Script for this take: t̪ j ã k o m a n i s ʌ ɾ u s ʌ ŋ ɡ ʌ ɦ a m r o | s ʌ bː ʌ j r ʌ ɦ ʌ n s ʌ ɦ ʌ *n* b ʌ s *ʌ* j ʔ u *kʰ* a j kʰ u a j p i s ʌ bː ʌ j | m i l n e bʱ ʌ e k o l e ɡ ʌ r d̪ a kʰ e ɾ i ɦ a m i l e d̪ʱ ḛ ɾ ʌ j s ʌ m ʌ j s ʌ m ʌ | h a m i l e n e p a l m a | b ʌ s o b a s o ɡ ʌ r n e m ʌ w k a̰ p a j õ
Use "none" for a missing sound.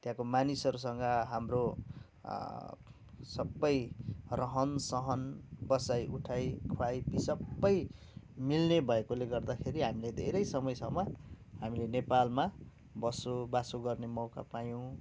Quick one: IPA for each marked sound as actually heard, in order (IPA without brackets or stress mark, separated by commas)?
n, a, ʈʰ